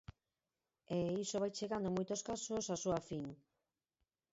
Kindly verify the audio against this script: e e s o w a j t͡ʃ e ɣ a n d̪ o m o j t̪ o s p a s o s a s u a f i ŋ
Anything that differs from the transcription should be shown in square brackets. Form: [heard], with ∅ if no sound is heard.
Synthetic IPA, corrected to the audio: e [i] s o [β] a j t͡ʃ e ɣ a n d̪ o m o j t̪ o s [k] a s o s a s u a f i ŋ